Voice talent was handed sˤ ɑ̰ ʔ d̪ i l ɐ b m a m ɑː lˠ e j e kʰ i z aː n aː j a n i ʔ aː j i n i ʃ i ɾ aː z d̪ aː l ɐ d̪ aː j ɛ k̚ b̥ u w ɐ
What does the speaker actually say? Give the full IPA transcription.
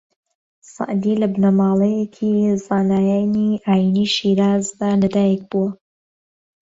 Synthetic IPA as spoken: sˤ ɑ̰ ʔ d̪ i l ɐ b n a m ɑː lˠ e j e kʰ i z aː n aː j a n i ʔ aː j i n i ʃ i ɾ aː z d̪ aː l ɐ d̪ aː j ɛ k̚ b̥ u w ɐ